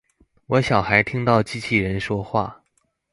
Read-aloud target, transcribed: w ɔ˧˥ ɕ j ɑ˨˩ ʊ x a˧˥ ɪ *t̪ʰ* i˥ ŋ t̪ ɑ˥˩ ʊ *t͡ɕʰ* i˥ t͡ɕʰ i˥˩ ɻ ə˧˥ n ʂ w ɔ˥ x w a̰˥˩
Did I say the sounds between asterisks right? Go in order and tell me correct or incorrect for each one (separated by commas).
correct, incorrect